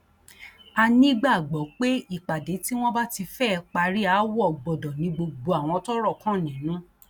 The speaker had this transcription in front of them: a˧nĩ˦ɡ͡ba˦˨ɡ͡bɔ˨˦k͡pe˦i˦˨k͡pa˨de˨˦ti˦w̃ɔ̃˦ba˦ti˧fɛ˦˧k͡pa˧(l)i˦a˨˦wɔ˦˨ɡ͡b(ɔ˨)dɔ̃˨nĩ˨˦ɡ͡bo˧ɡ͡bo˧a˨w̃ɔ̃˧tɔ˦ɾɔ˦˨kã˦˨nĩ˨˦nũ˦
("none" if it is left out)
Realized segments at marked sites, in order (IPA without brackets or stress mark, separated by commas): ɾ, ɔ˨